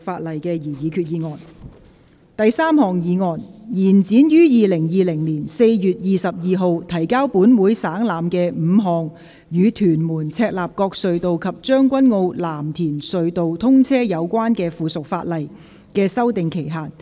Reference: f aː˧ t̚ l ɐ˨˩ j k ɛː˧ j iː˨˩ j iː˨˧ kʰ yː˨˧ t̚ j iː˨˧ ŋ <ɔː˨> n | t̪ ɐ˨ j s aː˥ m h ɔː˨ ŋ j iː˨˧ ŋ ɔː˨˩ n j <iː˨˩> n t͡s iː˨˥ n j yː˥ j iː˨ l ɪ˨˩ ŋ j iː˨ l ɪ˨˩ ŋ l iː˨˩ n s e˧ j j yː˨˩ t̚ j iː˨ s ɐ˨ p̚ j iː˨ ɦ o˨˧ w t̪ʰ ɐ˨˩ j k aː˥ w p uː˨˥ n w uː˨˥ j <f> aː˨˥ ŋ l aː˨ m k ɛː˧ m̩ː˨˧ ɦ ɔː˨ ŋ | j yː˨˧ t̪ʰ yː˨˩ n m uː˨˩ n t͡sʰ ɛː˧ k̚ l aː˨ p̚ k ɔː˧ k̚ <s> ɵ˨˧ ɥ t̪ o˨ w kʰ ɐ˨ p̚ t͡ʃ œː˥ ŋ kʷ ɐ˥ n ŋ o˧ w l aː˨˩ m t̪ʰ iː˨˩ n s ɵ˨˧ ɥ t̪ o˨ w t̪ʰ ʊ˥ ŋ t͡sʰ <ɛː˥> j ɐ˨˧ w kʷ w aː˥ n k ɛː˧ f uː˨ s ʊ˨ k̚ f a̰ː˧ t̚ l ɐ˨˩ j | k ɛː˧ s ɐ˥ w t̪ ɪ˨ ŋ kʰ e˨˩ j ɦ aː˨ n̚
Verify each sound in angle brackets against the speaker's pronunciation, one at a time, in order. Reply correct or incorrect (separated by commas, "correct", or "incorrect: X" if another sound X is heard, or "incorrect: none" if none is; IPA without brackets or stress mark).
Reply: correct, correct, incorrect: s, correct, correct